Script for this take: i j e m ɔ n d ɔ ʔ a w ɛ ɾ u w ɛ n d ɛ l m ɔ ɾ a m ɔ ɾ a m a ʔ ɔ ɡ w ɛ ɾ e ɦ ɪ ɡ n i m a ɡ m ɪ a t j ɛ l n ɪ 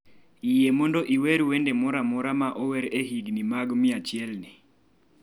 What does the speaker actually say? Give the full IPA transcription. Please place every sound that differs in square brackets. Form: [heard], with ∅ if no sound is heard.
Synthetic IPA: i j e m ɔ n d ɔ ʔ [i] w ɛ ɾ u w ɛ n d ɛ [∅] m ɔ ɾ a m ɔ ɾ a m a ʔ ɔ [∅] w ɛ ɾ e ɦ [i] ɡ n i m a ɡ m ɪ a [t͡ʃ] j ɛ l n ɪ